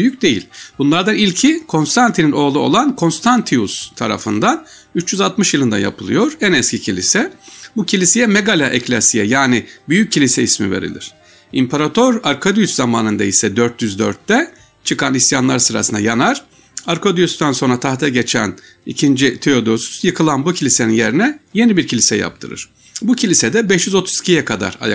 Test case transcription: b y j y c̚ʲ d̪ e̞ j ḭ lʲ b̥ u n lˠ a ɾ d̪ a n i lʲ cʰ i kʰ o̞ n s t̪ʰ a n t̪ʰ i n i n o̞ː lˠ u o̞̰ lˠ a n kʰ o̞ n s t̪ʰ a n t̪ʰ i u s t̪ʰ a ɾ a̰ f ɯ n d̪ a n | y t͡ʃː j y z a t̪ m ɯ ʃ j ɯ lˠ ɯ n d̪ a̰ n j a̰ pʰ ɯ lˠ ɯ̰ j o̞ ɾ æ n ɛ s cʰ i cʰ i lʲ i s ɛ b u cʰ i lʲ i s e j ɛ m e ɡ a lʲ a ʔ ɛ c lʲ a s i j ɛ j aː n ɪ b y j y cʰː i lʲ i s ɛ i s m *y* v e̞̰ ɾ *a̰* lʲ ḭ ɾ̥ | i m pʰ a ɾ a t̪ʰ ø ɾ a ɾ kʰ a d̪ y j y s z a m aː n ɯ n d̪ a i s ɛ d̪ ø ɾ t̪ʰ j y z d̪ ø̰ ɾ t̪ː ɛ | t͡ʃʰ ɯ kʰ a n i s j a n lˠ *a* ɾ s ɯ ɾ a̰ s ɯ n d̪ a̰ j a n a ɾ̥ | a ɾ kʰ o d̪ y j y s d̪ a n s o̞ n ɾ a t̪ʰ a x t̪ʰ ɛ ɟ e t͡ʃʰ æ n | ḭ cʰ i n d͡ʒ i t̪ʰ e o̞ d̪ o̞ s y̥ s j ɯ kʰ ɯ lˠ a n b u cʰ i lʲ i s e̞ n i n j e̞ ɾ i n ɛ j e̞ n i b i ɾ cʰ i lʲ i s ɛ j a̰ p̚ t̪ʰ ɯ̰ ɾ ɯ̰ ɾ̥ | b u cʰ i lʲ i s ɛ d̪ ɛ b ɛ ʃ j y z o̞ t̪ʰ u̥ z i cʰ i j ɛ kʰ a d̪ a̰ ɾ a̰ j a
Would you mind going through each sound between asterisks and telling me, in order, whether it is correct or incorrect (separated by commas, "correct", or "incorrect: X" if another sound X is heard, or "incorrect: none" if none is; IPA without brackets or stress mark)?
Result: incorrect: i, incorrect: ḭ, correct